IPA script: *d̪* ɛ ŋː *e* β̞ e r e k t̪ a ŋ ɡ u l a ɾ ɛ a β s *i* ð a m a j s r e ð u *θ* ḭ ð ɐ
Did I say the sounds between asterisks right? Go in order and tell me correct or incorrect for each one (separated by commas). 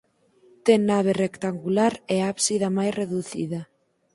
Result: incorrect, incorrect, correct, correct